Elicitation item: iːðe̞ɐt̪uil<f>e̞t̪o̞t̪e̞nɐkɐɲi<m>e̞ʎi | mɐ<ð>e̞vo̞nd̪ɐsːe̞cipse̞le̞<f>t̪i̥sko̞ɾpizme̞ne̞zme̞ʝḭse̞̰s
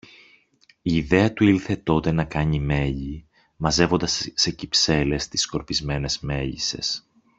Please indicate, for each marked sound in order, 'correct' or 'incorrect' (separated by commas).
incorrect, correct, incorrect, incorrect